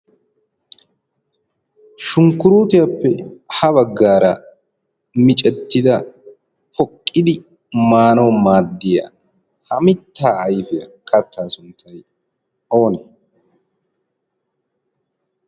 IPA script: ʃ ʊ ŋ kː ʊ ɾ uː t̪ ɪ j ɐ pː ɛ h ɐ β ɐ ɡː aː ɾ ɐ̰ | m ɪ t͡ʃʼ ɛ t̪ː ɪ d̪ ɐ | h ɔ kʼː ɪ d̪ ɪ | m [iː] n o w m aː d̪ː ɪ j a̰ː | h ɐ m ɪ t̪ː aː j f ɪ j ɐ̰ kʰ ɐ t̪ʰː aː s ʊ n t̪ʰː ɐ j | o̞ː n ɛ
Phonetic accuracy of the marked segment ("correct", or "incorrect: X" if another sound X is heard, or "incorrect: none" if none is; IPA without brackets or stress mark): incorrect: aː